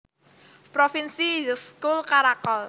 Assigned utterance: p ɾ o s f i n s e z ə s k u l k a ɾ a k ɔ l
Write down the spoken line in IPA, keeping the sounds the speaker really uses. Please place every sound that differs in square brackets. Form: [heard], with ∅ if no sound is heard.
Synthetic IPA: p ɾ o [∅] f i n s [i] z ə s k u l k a ɾ a k ɔ l